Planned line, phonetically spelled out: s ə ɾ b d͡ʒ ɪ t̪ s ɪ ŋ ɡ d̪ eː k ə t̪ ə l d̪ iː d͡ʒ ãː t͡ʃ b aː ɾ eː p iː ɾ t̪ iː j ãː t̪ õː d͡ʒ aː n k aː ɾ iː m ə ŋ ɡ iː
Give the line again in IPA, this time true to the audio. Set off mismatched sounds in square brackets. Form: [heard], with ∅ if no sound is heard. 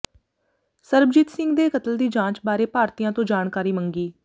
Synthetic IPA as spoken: s ə ɾ b d͡ʒ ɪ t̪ s ɪ ŋ ɡ d̪ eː k ə t̪ ə l d̪ iː d͡ʒ ãː t͡ʃ b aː ɾ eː p [aː] ɾ t̪ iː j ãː t̪ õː d͡ʒ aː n k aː ɾ iː m ə ŋ ɡ iː